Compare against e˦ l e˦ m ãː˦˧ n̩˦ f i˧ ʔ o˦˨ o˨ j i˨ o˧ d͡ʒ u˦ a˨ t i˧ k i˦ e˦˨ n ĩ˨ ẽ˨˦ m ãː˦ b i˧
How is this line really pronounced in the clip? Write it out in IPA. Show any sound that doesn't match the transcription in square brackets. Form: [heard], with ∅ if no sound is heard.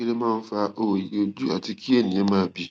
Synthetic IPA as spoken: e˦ l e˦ m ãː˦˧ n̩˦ f [a˧] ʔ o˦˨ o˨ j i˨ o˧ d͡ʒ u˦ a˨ t i˧ k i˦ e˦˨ n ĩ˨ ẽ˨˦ m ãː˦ b i˧